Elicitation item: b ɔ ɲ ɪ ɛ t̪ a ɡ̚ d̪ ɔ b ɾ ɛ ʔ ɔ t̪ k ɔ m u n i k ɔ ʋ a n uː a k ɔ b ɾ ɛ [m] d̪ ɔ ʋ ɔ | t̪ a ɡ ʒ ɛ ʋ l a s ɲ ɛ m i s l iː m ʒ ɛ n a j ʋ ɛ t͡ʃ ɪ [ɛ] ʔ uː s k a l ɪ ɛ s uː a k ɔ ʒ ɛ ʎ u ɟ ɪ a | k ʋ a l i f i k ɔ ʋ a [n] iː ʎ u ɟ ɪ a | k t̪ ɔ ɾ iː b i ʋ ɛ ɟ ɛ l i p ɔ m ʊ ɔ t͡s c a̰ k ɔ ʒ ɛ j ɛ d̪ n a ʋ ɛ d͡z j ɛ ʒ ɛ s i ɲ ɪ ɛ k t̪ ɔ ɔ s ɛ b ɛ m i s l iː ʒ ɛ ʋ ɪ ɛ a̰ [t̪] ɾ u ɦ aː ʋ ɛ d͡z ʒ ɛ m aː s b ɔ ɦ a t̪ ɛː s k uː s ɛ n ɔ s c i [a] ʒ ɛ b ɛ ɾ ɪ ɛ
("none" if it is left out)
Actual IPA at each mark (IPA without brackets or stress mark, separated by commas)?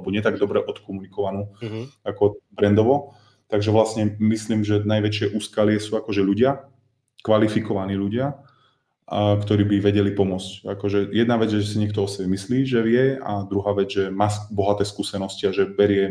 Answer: n, ɛ, n, d̪, a